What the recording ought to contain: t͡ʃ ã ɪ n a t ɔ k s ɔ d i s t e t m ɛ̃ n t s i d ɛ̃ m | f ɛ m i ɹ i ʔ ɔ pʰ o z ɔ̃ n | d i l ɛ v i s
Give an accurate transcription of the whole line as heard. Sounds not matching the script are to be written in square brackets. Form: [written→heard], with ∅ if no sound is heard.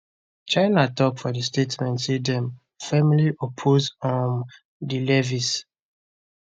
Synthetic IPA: t͡ʃ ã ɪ n a t ɔ k [s→f] ɔ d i s t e t m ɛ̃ n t s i d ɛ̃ m | f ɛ m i [ɹ→l] i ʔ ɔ pʰ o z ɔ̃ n | d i l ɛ v i s

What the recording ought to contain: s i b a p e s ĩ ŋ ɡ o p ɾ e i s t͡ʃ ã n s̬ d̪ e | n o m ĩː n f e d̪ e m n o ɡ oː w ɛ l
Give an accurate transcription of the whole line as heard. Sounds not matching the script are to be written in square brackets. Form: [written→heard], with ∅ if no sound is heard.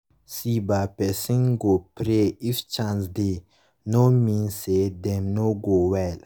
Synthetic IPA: s i b a p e s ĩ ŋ ɡ o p ɾ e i [s→f] t͡ʃ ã n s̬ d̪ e | n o m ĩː n [f→s] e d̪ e m n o ɡ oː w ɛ l

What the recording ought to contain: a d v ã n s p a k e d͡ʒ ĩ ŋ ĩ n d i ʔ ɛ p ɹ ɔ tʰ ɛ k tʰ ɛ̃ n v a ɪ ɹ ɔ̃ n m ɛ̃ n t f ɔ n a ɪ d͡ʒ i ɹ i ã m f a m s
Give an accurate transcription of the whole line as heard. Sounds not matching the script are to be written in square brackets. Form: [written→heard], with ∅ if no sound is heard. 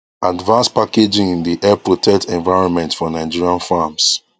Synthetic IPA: a d v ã n s p a k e d͡ʒ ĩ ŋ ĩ n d i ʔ ɛ p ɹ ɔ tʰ ɛ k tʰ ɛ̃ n v a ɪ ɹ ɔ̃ n m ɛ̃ n t f ɔ n a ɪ d͡ʒ i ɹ i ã [m→n] f a m s

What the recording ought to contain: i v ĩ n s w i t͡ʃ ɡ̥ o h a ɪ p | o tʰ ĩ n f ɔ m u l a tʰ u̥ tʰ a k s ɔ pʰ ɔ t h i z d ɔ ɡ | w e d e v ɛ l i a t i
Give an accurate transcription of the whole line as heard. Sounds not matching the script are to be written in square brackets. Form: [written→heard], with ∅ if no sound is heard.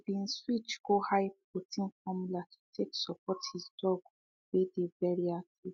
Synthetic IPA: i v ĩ n s w i t͡ʃ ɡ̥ o h a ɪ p | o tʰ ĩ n f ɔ m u l a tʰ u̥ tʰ [a→e] k s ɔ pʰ ɔ t h i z d ɔ ɡ | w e d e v ɛ [l→ɹ] i a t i

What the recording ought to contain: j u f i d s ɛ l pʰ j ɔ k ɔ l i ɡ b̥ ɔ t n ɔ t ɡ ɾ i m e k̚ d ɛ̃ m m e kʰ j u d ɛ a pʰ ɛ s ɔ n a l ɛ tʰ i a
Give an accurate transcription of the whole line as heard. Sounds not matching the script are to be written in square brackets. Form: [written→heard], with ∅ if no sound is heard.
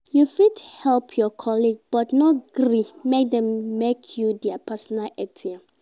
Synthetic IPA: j u f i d [s→h] ɛ l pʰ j ɔ [k→kʰ] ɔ l i ɡ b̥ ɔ t n ɔ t ɡ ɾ i m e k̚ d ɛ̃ m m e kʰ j u d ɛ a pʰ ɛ s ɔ n a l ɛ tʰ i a

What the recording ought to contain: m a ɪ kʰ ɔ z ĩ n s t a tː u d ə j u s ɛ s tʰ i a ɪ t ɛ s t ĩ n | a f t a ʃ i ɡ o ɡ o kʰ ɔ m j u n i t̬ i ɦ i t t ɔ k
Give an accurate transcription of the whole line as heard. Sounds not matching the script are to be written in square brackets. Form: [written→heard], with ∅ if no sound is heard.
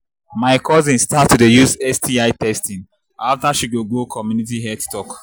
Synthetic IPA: m a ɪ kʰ ɔ z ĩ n s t a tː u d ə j u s ɛ s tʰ i a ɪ t ɛ s t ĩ n | a f t a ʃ i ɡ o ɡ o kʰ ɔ m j u n i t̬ i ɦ [i→ɛ] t t ɔ k

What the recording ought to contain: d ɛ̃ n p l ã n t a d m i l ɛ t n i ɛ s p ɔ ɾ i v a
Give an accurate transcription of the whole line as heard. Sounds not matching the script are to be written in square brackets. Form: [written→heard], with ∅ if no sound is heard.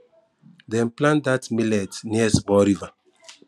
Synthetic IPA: d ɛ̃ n p l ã n [t→d] a [d→t] m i l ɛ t n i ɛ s [p→b] ɔ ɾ i v a

